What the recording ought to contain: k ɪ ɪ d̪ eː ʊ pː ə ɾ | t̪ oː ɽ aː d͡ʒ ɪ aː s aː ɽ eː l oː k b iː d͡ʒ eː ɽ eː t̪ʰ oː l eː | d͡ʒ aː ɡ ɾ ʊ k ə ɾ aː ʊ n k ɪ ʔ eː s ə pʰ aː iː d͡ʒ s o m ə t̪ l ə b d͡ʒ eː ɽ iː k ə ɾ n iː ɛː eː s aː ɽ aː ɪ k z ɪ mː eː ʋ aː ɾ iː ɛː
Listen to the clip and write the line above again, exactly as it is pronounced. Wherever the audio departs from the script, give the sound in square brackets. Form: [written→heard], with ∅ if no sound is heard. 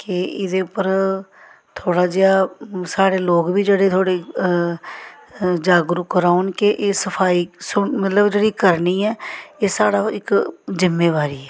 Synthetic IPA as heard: k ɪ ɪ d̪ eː ʊ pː ə ɾ | [t̪→t̪ʰ] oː ɽ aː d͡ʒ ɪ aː s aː ɽ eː l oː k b iː d͡ʒ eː ɽ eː t̪ʰ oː [l→ɽ] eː | d͡ʒ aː ɡ ɾ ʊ k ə ɾ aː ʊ n k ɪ ʔ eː s ə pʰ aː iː [d͡ʒ→∅] s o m ə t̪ l ə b d͡ʒ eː ɽ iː k ə ɾ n iː ɛː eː s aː ɽ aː ɪ k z ɪ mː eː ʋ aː ɾ iː ɛː